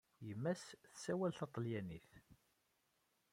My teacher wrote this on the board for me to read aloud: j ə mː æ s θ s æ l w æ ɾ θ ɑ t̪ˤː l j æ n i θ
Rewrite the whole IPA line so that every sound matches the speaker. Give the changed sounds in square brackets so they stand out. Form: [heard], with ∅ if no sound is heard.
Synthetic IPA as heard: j ə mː æ s θ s æ [∅] w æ [l] θ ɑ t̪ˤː l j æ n i θ